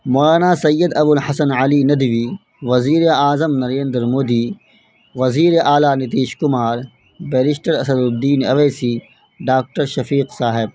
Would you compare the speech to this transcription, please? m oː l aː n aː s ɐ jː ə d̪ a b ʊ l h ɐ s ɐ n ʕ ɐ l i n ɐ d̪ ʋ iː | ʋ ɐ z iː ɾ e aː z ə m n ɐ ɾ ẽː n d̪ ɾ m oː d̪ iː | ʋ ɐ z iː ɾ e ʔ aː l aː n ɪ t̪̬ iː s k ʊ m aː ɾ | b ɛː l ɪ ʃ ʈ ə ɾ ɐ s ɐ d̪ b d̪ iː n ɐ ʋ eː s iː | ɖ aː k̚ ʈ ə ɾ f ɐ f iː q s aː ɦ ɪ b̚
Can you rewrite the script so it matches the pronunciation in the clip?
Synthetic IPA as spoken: m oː l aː n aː s ɐ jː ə d̪ ɐ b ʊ l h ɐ s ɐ n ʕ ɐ l i n ɐ d̪ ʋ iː | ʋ ɐ z iː ɾ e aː z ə m n ɐ ɾ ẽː n d̪ ɾ m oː d̪ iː | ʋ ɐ z iː ɾ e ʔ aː l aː n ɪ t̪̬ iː ʃ k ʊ m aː ɾ | b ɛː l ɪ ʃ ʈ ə ɾ ɐ s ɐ d̪ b d̪ iː n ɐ ʋ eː s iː | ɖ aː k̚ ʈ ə ɾ ʃ ɐ f iː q s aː ɦ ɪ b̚